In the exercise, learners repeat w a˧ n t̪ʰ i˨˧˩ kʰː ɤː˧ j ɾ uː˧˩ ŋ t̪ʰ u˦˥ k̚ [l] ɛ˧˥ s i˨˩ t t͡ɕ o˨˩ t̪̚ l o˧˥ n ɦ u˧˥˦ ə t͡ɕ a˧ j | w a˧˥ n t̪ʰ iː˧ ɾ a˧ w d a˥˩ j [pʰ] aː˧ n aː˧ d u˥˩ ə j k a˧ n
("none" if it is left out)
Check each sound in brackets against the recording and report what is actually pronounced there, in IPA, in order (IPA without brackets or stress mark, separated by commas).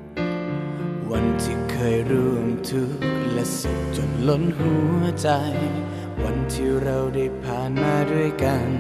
l, pʰ